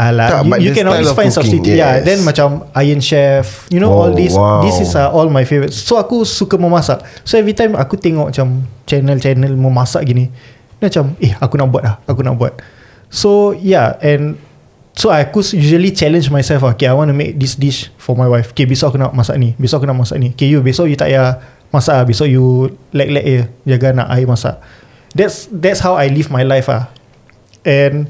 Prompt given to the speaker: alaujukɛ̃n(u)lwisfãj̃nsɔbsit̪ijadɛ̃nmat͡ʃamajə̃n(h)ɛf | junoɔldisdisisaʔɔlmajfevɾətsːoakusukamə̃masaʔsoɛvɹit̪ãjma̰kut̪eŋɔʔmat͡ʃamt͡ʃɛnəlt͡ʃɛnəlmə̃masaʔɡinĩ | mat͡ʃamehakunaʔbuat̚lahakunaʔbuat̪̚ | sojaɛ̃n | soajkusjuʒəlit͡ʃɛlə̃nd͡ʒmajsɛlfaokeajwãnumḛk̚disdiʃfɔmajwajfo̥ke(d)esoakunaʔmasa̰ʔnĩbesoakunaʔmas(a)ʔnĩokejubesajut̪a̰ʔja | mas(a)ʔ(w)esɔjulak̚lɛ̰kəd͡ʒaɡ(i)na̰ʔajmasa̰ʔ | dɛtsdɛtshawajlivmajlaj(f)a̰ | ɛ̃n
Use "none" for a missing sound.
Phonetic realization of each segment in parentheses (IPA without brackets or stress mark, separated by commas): ɔ, ʃ, b, a, a, b, a, f